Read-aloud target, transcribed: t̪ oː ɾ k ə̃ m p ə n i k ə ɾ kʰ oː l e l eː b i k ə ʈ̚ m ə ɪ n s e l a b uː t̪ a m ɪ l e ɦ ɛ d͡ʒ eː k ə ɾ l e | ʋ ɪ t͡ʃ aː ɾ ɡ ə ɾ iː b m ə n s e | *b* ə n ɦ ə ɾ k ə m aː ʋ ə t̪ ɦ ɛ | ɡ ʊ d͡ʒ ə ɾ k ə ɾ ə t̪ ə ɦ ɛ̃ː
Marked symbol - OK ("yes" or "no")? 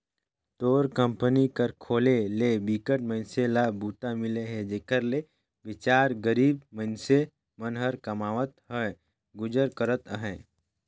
no